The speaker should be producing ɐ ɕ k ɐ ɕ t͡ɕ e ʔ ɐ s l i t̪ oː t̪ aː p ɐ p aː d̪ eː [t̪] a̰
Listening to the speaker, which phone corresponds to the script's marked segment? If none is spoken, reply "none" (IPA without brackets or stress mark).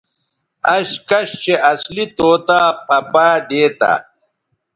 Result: t̪